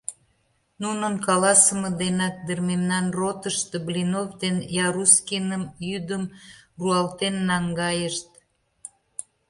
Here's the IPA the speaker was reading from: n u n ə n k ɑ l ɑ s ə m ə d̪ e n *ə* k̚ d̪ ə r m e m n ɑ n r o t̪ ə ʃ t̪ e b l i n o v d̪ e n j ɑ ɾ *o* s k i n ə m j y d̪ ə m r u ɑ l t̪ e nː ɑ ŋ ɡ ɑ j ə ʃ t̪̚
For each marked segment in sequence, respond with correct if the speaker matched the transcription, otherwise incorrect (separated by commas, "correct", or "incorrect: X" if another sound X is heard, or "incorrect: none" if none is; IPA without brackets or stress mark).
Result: incorrect: ɑ, incorrect: u